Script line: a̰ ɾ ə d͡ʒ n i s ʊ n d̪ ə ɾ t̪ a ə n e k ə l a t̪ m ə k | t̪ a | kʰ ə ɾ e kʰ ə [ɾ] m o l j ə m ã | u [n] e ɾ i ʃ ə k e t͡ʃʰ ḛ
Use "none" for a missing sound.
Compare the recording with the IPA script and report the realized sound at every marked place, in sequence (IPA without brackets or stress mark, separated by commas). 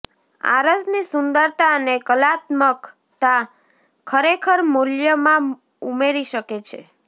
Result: ɾ, m